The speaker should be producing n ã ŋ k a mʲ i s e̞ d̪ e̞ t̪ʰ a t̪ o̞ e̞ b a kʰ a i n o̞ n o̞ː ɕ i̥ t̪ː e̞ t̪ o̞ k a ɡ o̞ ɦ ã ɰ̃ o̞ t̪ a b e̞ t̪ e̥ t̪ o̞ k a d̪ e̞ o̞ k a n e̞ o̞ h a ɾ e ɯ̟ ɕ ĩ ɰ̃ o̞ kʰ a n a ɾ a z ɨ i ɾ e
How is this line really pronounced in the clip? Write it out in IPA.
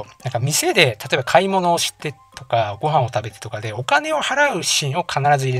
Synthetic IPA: n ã ŋ k a mʲ i s e̞ d̪ e̞ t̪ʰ a t̪ o̞ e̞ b a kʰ a i m o̞ n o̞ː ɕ i̥ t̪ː e̞ t̪ o̞ k a ɡ o̞ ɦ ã ɰ̃ o̞ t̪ a b e̞ t̪ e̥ t̪ o̞ k a d̪ e̞ o̞ k a n e̞ o̞ h a ɾ a ɯ̟ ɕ ĩ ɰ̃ o̞ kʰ a n a ɾ a z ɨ i ɾ e